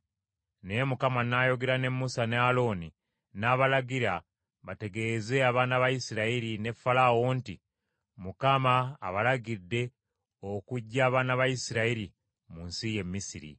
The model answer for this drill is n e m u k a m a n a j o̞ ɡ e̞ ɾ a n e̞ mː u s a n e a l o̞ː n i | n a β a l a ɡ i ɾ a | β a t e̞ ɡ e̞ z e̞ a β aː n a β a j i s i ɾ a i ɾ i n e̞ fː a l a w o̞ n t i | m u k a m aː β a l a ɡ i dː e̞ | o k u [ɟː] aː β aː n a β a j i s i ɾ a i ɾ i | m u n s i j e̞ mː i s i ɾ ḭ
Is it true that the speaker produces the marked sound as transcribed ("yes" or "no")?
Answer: yes